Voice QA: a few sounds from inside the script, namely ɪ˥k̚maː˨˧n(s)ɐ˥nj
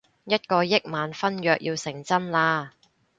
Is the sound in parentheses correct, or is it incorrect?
incorrect: f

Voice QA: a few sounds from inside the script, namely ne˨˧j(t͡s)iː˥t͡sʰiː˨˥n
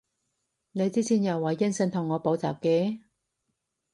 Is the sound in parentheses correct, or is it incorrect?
correct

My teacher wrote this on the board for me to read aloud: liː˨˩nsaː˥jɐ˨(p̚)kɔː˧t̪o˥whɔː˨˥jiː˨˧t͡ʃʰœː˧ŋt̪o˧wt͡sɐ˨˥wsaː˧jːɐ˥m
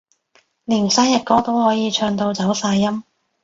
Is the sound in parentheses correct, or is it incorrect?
incorrect: t̚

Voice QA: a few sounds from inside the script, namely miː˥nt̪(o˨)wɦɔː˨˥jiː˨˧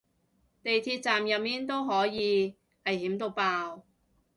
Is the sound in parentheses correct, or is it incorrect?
incorrect: o˥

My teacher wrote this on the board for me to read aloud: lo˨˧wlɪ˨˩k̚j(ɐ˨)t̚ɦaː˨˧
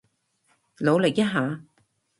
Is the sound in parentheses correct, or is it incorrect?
incorrect: ɐ˥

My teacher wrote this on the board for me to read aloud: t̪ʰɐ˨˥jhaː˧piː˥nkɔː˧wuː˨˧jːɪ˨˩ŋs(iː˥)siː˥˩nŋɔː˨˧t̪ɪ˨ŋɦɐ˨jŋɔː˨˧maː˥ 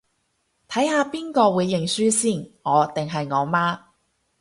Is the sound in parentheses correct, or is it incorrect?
incorrect: yː˥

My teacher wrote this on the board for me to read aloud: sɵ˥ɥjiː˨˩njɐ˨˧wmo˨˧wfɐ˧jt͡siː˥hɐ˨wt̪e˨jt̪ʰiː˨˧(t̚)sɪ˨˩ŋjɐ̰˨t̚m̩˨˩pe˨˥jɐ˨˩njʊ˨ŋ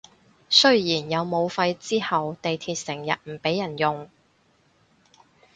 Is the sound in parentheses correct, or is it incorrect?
correct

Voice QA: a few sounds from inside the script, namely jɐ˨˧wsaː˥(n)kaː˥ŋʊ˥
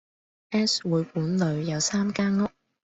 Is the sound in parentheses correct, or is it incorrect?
incorrect: m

